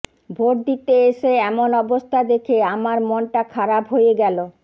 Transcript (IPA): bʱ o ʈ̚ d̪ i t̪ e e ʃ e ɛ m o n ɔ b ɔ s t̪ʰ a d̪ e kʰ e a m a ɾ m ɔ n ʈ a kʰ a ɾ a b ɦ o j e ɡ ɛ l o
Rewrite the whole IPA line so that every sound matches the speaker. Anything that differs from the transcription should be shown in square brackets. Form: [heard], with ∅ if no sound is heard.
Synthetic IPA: bʱ o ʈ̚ d̪ i t̪ e e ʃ e ɛ m o n ɔ b [o] s t̪ʰ a d̪ e kʰ e a m a ɾ m ɔ n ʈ a kʰ a ɾ a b ɦ o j e ɡ ɛ l o